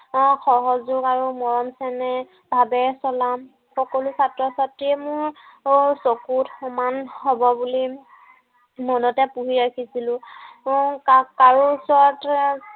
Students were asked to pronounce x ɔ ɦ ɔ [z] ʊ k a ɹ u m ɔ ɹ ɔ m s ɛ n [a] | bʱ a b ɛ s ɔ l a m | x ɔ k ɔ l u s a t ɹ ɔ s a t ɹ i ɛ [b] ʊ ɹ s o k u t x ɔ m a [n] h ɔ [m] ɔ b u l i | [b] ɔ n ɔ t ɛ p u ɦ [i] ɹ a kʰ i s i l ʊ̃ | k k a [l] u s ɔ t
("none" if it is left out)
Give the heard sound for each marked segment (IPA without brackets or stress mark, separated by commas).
z, ɛ, m, n, b, m, i, ɹ